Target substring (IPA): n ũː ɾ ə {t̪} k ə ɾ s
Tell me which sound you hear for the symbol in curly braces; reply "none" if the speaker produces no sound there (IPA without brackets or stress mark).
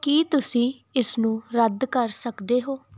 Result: d̪